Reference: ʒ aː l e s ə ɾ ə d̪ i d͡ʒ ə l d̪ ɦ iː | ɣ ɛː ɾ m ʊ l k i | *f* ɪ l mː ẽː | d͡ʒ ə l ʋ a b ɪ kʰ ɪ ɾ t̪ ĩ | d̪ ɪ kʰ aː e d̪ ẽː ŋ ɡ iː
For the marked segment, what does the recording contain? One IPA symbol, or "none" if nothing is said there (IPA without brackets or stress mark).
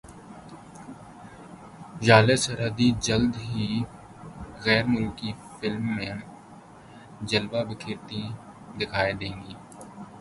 f